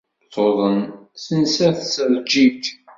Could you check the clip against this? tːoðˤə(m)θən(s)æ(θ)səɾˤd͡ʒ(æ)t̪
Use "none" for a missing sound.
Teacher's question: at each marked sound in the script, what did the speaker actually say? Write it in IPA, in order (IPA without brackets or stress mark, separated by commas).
n, s, θ, i